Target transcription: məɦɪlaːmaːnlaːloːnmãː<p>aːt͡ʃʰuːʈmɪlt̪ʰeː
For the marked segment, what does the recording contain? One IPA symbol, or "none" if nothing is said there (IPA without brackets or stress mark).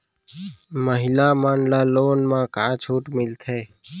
k